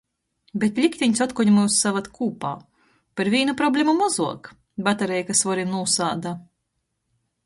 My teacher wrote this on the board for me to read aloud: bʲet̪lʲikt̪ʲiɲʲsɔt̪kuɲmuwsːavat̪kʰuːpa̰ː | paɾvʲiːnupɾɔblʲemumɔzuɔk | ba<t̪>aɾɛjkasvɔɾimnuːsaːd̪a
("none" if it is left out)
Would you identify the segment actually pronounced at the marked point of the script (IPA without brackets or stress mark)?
t̪